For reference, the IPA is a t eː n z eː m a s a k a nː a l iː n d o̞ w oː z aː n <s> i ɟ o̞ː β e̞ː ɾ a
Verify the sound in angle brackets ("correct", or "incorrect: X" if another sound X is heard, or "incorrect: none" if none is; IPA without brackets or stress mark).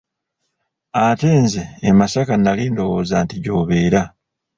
incorrect: t